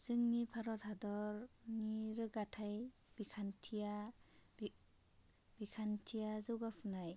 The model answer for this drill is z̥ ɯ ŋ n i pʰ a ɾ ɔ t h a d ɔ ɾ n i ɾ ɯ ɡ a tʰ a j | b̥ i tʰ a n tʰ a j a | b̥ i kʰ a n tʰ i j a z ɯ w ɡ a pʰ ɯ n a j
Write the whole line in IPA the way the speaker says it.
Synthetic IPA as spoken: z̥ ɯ ŋ n i pʰ a ɾ ɔ t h a d ɔ ɾ n i ɾ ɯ ɡ a tʰ a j | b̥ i kʰ a n tʰ i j a | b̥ i kʰ a n tʰ i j a z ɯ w ɡ a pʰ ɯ n a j